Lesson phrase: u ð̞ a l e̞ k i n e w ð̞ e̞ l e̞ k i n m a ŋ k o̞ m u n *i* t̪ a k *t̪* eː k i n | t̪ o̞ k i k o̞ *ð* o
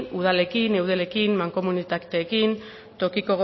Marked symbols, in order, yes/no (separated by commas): yes, yes, no